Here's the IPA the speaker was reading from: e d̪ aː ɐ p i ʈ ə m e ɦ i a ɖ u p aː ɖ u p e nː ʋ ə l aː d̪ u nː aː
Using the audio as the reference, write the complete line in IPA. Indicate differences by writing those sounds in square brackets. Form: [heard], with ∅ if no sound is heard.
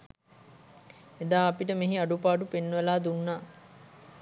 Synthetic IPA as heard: e d̪ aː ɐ p i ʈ ə m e ɦ i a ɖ u p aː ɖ u p e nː ʋ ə l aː d̪ u nː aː